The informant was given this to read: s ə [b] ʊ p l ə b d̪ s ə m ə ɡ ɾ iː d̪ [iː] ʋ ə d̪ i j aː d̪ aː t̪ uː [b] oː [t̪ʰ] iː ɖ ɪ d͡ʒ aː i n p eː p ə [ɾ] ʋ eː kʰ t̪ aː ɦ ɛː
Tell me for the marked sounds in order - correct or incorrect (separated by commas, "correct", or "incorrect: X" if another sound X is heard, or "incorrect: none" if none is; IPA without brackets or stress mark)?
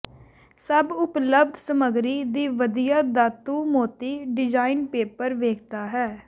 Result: correct, correct, incorrect: m, incorrect: t̪, correct